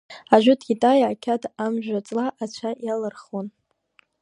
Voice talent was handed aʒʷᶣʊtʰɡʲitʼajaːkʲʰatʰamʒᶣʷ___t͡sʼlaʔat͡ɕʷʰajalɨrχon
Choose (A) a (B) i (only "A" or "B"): A